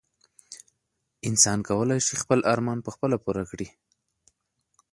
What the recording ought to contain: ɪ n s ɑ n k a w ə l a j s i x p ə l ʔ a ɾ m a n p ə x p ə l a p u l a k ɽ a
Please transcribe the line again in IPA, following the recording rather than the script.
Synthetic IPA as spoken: ɪ n s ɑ n k a w ə l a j ʃ i x p ə l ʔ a ɾ m ɑ n p ə x p ə l a p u ɾ a k ɽ i

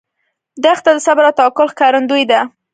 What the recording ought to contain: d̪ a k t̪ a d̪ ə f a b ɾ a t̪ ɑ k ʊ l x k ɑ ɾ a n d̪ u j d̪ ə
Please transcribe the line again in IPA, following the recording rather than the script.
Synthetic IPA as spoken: d̪ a x t̪ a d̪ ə s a b ɾ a t̪ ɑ k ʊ l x k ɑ ɾ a n d̪ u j d̪ a

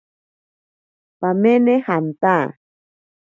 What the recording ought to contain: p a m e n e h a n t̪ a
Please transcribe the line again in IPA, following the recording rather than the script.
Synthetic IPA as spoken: p a m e n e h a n t̪ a

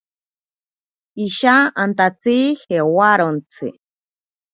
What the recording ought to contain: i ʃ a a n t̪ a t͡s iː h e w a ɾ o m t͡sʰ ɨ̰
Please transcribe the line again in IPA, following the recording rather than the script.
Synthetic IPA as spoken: i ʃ a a n t̪ a t͡s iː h e w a ɾ o n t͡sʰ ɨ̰

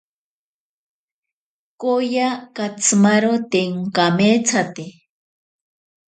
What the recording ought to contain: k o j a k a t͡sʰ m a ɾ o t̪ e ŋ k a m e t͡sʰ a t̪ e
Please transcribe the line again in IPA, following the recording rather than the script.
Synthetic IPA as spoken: k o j a k a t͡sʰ m a ɾ o t̪ e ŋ k a m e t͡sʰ a t̪ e

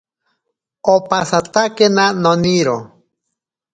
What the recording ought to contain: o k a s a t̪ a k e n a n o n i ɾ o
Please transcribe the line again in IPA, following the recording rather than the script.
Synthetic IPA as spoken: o p a s a t̪ a k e n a n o n i ɾ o

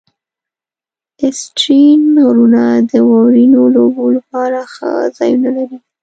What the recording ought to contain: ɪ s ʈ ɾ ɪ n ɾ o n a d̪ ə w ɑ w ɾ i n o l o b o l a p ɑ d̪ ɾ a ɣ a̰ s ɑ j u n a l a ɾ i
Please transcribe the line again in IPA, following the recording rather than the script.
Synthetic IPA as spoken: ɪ s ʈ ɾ i n ɾ u n a d̪ ə w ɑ w ɾ i n o l o b o l a p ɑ ɾ a x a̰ z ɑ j u n a l a ɾ i

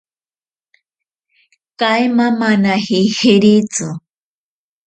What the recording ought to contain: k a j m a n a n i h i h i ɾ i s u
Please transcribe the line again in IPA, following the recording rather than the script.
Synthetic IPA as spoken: k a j m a m a n a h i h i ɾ i t͡s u

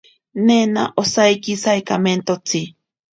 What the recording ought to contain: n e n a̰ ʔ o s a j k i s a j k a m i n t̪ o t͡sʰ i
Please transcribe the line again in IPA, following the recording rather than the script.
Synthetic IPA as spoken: n e n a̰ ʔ o s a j k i s a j k a m e n t̪ o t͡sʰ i

